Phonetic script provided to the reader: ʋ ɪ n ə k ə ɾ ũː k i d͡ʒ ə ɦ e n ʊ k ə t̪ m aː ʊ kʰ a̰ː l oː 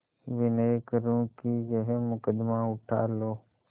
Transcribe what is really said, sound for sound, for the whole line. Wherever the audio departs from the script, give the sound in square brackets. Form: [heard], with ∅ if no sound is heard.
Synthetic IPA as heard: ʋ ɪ n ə k ə ɾ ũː k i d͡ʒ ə ɦ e [m] ʊ k ə [d̪] m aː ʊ [ʈʰ] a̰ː l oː